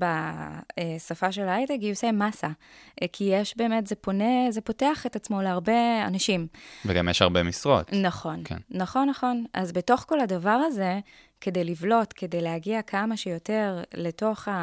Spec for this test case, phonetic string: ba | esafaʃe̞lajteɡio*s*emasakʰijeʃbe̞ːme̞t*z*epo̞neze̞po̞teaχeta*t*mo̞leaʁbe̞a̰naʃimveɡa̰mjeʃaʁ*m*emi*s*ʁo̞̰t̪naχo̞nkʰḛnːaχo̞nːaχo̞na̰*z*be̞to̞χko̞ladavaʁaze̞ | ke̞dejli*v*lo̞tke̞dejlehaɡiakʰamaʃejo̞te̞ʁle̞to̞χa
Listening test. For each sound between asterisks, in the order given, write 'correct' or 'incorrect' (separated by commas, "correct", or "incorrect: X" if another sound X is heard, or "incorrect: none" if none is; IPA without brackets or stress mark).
correct, correct, incorrect: t͡s, incorrect: b, correct, correct, correct